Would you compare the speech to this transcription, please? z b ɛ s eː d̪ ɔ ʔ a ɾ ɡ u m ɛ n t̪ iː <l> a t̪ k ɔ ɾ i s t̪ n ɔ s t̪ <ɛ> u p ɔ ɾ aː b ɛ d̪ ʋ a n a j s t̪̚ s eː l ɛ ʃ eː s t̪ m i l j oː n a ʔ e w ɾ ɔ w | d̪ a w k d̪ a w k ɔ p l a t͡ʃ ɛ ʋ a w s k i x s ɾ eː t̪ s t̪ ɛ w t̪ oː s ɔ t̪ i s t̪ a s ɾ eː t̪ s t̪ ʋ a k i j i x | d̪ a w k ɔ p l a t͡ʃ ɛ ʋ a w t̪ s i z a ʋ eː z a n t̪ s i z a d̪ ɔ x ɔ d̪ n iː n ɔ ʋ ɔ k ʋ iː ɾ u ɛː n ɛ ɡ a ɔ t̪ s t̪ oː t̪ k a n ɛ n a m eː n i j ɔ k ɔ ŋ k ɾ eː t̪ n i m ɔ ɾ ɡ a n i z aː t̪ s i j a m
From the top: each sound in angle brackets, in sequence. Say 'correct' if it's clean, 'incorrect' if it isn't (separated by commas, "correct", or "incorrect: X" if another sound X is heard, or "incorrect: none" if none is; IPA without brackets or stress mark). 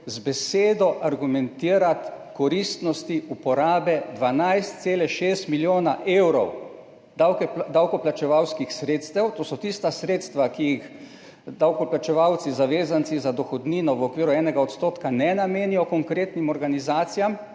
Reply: incorrect: ɾ, incorrect: i